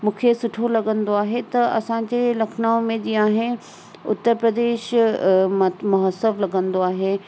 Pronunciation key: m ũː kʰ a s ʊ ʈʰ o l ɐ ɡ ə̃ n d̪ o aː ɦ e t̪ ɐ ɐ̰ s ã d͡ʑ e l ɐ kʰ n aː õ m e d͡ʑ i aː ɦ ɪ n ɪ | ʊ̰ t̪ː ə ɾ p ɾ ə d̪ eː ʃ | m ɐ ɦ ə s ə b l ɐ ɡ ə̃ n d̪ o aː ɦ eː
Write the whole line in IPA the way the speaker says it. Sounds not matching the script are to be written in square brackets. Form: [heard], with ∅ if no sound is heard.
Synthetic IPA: m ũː kʰ [e] s ʊ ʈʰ o l ɐ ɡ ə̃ n d̪ o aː ɦ e t̪ ɐ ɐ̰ s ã d͡ʑ e l ɐ kʰ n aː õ m [ẽ] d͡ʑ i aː ɦ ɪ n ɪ | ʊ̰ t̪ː ə ɾ p ɾ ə d̪ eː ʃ | m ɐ ɦ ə s ə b l ɐ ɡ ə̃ n d̪ o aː ɦ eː

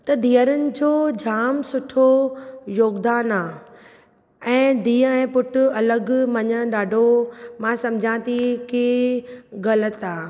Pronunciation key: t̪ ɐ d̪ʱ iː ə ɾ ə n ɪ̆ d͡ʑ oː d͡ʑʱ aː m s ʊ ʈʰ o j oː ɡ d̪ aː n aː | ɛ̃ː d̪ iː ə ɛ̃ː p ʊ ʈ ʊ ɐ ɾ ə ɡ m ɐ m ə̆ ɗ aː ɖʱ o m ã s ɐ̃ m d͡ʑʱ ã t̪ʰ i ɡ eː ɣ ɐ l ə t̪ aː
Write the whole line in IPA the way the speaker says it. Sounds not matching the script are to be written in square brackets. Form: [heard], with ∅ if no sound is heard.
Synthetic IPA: t̪ ɐ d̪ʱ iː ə ɾ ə n ɪ̆ d͡ʑ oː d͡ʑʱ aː m s ʊ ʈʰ o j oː ɡ d̪ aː n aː | ɛ̃ː d̪ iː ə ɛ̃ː p ʊ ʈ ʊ ɐ [l] ə ɡ m ɐ [ɲ] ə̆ ɗ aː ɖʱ o m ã s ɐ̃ m d͡ʑʱ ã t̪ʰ i [k] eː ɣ ɐ l ə t̪ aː

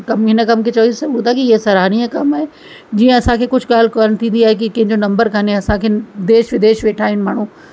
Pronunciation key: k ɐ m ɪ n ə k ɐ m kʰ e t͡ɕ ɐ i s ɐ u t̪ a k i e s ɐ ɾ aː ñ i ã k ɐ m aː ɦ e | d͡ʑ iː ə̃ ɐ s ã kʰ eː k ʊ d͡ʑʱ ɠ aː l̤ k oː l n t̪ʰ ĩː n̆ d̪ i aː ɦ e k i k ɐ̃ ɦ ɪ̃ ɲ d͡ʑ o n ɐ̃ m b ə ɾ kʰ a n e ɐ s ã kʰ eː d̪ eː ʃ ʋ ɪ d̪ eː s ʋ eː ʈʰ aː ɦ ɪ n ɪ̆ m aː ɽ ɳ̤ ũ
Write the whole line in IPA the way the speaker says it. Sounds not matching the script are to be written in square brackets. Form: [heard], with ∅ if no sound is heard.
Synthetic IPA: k ɐ m ɪ n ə k ɐ m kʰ e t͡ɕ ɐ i s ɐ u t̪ a k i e s ɐ ɾ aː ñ i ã k ɐ m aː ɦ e | d͡ʑ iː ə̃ ɐ s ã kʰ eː k ʊ d͡ʑʱ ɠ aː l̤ k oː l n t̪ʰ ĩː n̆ d̪ i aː ɦ e k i k ɐ̃ ɦ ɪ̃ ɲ d͡ʑ o n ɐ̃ m b ə ɾ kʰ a n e ɐ s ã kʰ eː d̪ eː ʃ ʋ ɪ d̪ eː [ʃ] ʋ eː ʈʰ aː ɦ ɪ n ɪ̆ m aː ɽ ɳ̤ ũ

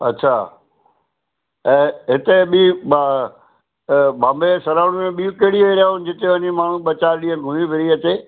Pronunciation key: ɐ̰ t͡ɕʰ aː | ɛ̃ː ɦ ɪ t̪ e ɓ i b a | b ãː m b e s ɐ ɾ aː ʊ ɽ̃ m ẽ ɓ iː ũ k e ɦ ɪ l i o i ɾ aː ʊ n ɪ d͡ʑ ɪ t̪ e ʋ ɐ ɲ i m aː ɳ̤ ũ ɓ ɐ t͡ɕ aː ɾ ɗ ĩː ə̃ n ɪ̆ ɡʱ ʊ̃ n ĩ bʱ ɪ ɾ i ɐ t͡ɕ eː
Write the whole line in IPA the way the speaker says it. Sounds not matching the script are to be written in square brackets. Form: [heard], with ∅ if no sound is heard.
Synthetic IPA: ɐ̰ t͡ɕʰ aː | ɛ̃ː ɦ ɪ t̪ e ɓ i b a | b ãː m b e s ɐ ɾ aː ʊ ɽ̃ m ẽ ɓ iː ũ k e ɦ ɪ [ɽ] i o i ɾ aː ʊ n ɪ d͡ʑ ɪ t̪ e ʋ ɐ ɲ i m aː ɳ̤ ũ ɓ ɐ t͡ɕ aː ɾ ɗ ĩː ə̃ n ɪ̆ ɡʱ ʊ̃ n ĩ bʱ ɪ ɾ i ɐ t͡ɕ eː

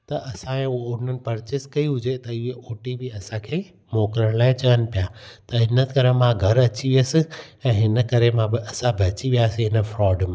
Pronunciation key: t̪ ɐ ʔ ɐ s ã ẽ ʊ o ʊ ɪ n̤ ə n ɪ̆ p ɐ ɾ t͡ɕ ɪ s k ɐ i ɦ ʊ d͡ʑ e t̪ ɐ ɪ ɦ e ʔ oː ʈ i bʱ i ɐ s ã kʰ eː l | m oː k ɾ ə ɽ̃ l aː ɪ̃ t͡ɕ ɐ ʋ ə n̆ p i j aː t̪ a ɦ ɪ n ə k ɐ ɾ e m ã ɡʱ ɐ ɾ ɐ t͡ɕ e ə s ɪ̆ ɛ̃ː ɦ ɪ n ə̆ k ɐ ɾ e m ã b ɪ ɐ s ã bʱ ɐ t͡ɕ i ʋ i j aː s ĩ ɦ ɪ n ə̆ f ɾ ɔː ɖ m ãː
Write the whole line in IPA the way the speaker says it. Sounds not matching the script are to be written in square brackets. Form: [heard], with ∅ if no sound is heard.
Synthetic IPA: t̪ ɐ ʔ ɐ s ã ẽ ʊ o ʊ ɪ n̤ ə n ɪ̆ p ɐ ɾ t͡ɕ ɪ s k ɐ i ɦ ʊ d͡ʑ e t̪ ɐ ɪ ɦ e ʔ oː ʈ i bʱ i ɐ s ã kʰ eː [∅] | m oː k ɾ ə ɽ̃ l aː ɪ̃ t͡ɕ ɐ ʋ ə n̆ p i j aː t̪ [ɐ] ɦ ɪ n ə k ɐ ɾ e m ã ɡʱ ɐ ɾ ɐ t͡ɕ [i] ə s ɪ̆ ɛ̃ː ɦ ɪ n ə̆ k ɐ ɾ e m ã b ɪ ɐ s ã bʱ ɐ t͡ɕ i ʋ i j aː s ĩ ɦ ɪ n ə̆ f ɾ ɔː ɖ m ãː

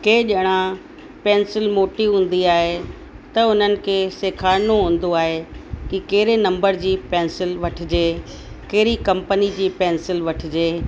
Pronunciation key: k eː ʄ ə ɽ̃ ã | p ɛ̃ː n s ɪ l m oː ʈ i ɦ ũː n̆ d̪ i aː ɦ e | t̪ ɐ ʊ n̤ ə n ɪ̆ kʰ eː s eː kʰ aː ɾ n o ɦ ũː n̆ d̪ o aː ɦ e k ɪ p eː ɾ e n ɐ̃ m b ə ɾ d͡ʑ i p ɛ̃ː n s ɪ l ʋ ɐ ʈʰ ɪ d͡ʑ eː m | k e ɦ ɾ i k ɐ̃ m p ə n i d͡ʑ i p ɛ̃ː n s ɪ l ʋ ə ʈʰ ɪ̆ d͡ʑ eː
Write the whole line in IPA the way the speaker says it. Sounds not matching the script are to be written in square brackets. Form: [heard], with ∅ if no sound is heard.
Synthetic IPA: k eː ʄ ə ɽ̃ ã | p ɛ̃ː n s ɪ l m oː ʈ i ɦ ũː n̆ d̪ i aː ɦ e | t̪ ɐ ʊ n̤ ə n ɪ̆ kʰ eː s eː kʰ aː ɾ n o ɦ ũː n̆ d̪ o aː ɦ e k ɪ [k] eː ɾ e n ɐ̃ m b ə ɾ d͡ʑ [iː] p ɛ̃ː n s ɪ l ʋ ɐ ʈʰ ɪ d͡ʑ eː [∅] | k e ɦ ɾ i k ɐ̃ m p ə n i d͡ʑ [iː] p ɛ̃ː n s ɪ l ʋ [ɐ] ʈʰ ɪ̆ d͡ʑ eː

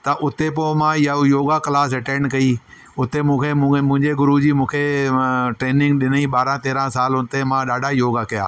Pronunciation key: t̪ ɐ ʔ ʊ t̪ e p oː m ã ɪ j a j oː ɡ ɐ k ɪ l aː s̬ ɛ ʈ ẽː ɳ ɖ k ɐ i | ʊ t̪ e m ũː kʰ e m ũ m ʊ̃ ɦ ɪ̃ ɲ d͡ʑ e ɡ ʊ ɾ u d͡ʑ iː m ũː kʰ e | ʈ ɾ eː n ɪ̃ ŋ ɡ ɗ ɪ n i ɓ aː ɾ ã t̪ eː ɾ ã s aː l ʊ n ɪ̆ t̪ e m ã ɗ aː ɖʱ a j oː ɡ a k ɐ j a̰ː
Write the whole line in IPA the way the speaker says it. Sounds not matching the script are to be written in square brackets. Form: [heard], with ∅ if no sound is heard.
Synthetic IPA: t̪ ɐ ʔ ʊ t̪ e p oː m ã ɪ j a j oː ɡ [a] k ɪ l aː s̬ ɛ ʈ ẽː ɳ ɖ k ɐ i | ʊ t̪ e m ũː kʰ e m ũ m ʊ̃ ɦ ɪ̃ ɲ d͡ʑ e ɡ ʊ ɾ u d͡ʑ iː m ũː kʰ e | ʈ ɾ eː n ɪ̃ ŋ ɡ ɗ ɪ n i ɓ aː ɾ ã t̪ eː ɾ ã s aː l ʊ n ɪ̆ t̪ e m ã ɗ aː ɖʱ a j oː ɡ a k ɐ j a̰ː

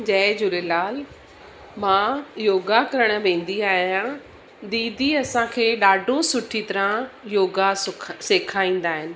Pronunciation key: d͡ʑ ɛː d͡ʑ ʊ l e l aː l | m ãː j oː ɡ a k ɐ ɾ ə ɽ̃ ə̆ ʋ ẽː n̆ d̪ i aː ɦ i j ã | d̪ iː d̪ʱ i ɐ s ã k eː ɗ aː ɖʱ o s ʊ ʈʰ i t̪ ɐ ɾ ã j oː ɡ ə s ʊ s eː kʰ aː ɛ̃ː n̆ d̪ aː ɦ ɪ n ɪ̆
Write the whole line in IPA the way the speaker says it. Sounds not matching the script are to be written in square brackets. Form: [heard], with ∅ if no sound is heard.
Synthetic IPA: d͡ʑ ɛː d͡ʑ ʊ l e l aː l | m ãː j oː ɡ a k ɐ ɾ ə ɽ̃ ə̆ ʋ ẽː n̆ d̪ i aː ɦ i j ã | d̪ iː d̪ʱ i ɐ s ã [kʰ] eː ɗ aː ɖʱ o s ʊ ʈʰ i t̪ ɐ ɾ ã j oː ɡ [a] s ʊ s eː kʰ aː [ĩː] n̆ d̪ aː ɦ ɪ n ɪ̆

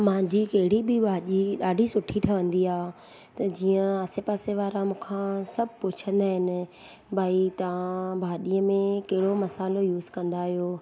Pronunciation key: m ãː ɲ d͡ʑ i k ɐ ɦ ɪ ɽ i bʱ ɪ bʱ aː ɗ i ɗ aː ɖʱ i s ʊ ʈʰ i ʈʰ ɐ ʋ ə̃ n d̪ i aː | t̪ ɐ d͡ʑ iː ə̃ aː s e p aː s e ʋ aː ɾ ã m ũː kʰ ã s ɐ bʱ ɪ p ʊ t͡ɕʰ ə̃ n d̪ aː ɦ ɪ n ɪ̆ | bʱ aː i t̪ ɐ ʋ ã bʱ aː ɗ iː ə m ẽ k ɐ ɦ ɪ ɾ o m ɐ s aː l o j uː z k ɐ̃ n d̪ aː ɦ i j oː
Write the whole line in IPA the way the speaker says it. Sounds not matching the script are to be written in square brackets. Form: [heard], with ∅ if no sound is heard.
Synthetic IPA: m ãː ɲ d͡ʑ i k ɐ ɦ ɪ ɽ i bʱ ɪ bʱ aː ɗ i ɗ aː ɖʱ i s ʊ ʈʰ i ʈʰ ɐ ʋ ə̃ n d̪ i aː | t̪ ɐ d͡ʑ iː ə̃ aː s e p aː s e ʋ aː ɾ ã m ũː kʰ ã s ɐ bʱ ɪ p ʊ t͡ɕʰ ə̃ n d̪ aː ɦ ɪ n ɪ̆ | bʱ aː i t̪ ɐ ʋ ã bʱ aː ɗ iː ə m ẽ k ɐ ɦ ɪ [ɽ] o m ɐ s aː l o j uː z k ɐ̃ n d̪ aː ɦ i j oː

